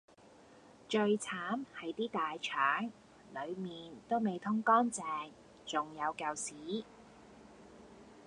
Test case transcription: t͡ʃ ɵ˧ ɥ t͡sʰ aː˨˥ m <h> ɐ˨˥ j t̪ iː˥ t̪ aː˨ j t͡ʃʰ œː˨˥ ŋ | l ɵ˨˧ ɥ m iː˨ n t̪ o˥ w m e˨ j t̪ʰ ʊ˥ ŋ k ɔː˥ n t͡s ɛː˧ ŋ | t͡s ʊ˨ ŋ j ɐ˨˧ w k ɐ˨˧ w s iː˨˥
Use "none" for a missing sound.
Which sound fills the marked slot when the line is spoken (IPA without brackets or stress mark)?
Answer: h